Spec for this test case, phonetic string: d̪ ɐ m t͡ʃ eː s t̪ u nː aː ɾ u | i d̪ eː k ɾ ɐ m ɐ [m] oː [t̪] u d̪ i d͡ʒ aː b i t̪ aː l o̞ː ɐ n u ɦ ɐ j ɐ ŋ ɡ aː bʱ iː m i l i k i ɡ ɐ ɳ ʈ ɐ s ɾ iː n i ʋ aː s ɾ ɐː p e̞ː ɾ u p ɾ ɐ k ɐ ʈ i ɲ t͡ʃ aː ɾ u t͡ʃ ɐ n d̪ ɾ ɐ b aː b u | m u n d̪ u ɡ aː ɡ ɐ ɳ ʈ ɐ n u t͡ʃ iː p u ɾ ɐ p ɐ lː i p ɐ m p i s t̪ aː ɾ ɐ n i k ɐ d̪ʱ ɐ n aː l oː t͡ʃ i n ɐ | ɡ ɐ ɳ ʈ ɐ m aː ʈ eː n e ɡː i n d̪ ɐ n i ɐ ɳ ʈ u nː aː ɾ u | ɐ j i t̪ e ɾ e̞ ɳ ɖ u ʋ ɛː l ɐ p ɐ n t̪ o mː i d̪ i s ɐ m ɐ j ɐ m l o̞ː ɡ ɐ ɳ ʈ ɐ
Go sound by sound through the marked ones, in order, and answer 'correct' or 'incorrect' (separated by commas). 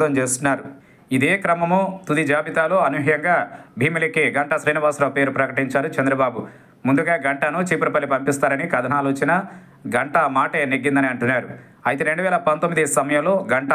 correct, correct